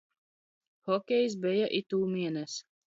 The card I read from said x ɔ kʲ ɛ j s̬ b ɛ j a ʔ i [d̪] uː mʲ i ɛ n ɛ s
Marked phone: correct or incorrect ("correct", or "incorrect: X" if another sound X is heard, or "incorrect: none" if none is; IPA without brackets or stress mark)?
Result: incorrect: t̪